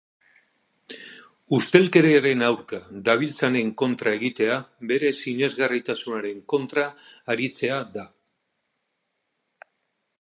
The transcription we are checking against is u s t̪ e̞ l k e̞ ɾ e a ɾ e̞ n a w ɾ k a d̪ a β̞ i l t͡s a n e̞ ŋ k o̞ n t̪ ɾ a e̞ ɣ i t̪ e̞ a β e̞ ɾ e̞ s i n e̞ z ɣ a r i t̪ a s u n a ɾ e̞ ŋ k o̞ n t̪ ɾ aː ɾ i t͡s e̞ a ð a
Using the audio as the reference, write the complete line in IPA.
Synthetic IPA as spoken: u s t̪ e̞ l k e̞ ɾ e a ɾ e̞ n a w ɾ k a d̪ a β̞ i l t͡s a n e̞ ŋ k o̞ n t̪ ɾ a e̞ ɣ i t̪ e̞ a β e̞ ɾ e̞ s i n e̞ z ɣ a r i t̪ a s u n a ɾ e̞ ŋ k o̞ n t̪ ɾ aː ɾ i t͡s e̞ a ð a

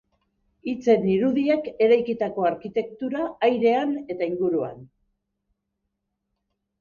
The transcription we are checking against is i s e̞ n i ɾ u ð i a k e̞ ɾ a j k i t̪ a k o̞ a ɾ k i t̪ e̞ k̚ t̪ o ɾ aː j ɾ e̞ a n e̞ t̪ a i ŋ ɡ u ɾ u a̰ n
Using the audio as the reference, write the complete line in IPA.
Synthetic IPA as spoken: i t͡s e̞ n i ɾ u ð i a k e̞ ɾ a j k i t̪ a k o̞ a ɾ k i t̪ e̞ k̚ t̪ u ɾ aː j ɾ e̞ a n e̞ t̪ a i ŋ ɡ u ɾ u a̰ n

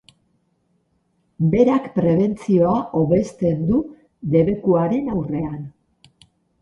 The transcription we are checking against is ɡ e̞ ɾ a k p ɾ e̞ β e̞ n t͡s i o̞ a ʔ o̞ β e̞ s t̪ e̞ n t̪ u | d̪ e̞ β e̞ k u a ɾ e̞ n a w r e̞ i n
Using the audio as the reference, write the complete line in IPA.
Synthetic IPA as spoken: b e̞ ɾ a k p ɾ e̞ β e̞ n t͡s i o̞ a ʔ o̞ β e̞ s t̪ e̞ n d̪ u | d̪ e̞ β e̞ k u a ɾ e̞ n a w r e̞ a n

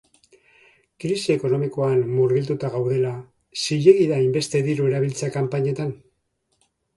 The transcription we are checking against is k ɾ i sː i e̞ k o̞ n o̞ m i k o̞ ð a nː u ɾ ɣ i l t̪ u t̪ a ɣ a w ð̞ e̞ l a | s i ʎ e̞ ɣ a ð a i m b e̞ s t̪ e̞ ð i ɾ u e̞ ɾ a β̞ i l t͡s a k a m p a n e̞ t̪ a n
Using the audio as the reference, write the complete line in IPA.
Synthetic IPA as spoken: k ɾ i s i e̞ k o̞ n o̞ m i k o̞ a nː u ɾ ɣ i l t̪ u t̪ a ɣ a w ð̞ e̞ l a | s i ʎ e̞ ɣ i ð a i m b e̞ s t̪ e̞ ð i ɾ u e̞ ɾ a β̞ i l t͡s a k a m p a ɲ e̞ t̪ a n

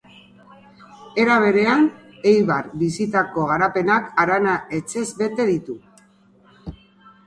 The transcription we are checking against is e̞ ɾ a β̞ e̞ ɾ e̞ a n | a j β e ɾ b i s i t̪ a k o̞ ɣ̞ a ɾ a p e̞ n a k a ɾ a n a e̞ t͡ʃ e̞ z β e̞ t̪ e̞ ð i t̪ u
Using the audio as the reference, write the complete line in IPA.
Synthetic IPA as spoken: e̞ ɾ a β̞ e̞ ɾ e̞ a n | e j β a ɾ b i s i t̪ a k o̞ ɣ̞ a ɾ a p e̞ n a k a ɾ a n a e̞ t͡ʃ e̞ z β e̞ t̪ e̞ ð i t̪ u

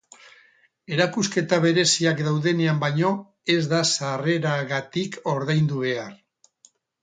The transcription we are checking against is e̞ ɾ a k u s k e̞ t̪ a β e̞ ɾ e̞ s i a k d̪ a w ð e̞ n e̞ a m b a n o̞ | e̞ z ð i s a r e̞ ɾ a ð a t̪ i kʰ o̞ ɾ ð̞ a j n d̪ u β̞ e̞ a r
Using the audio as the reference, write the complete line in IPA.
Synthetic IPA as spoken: e̞ ɾ a k u s k e̞ t̪ a β e̞ ɾ e̞ s i a k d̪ a w ð e̞ n e̞ a m b a ɲ o̞ | e̞ z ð a s a r e̞ ɾ a ɣ a t̪ i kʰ o̞ ɾ ð̞ a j n d̪ u β̞ e̞ a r

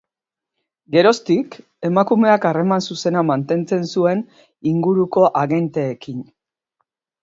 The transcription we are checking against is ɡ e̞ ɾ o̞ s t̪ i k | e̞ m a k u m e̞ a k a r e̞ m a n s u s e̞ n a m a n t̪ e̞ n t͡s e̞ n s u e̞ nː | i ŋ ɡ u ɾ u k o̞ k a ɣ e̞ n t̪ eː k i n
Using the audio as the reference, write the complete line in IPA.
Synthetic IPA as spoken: ɡ e̞ ɾ o̞ s t̪ i k | e̞ m a k u m e̞ a k a r e̞ m a n s u s e̞ n a m a n t̪ e̞ n t͡s e̞ n s u e̞ n | i ŋ ɡ u ɾ u k o̞ ʔ a ɣ e̞ n t̪ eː k i n

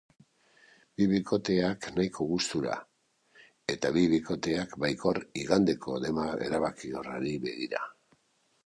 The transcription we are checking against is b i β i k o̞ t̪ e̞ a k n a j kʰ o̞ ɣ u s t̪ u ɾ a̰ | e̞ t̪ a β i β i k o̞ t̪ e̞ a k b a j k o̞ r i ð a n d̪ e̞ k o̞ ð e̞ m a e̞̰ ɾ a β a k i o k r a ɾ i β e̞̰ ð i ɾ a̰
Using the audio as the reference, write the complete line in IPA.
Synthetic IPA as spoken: b i β i k o̞ t̪ e̞ a k n a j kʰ o̞ ɣ u s t̪ u ɾ a̰ | e̞ t̪ a β i β i k o̞ t̪ e̞ a k b a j k o̞ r i ɣ a n d̪ e̞ k o̞ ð e̞ m a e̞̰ ɾ a β a k i o r a ɾ i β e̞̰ ɣ i ɾ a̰

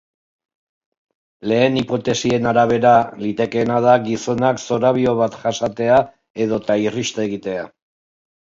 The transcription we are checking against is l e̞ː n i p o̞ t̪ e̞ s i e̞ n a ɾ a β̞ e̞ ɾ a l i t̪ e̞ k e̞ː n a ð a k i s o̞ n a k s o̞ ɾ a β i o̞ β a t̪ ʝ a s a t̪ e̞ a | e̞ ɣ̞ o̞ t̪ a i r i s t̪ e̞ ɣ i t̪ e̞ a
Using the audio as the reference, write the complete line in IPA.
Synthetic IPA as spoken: l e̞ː n i p o̞ t̪ e̞ s i e̞ n a ɾ a β̞ e̞ ɾ a l i t̪ e̞ k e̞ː n a ð a ɡ i s o̞ n a k s o̞ ɾ a β i o̞ β a t̪ ʝ a s a t̪ e̞ a | e̞ ð̞ o̞ t̪ a i r i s t̪ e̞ ɣ i t̪ e̞ a

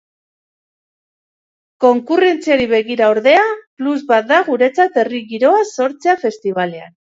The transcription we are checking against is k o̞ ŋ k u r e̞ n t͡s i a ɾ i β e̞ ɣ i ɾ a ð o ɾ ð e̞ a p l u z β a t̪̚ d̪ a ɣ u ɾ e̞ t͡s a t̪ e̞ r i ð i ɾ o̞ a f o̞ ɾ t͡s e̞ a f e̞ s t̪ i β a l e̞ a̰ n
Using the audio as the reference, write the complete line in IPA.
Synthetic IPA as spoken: k o̞ ŋ k u r e̞ n t͡s i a ɾ i β e̞ ɣ i ɾ a o ɾ ð e̞ a p l u z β a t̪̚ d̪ a ɣ u ɾ e̞ t͡s a t̪ e̞ r i ɣ i ɾ o̞ a s o̞ ɾ t͡s e̞ a f e̞ s t̪ i β a l e̞ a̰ n

